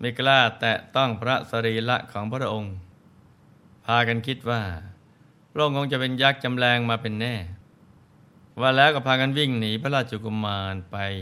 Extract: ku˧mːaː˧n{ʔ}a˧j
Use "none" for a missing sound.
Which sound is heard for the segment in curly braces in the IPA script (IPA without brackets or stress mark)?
p